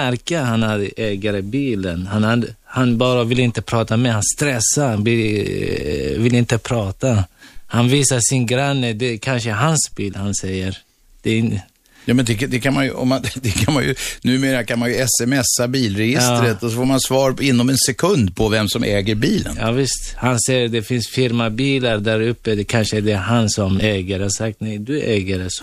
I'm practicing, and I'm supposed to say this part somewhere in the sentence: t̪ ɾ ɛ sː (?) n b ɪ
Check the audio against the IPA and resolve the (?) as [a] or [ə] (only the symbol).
a